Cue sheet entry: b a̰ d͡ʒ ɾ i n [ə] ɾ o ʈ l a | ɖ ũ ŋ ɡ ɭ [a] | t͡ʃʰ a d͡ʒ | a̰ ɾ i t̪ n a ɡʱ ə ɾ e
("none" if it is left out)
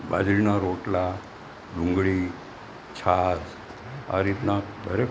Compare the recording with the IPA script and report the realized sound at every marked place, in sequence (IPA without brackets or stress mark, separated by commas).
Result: a, i